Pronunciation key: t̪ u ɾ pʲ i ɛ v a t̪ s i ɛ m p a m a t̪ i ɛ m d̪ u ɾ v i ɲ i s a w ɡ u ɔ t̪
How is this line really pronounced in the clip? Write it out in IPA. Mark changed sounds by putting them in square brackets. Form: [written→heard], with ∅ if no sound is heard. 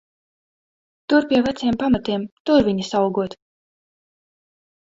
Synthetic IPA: t̪ u ɾ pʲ i ɛ v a t̪ s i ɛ m p a m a t̪ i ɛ m [d̪→t̪] u ɾ v i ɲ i s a w ɡ u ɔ t̪